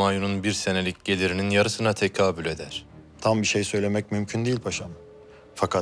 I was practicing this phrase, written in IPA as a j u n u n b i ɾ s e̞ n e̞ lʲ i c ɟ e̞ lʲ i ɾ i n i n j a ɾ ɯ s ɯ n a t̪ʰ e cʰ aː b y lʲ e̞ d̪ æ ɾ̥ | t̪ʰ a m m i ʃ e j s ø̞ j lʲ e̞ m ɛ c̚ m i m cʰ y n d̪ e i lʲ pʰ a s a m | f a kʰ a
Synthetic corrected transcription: a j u n u n b i ɾ s e̞ n e̞ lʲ i c ɟ e̞ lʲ i ɾ i n i n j a ɾ ɯ s ɯ n a t̪ʰ e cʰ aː b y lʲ e̞ d̪ æ ɾ̥ | t̪ʰ a m b i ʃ e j s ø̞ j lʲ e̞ m ɛ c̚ m y m cʰ y n d̪ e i lʲ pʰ a ʃ a m | f a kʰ a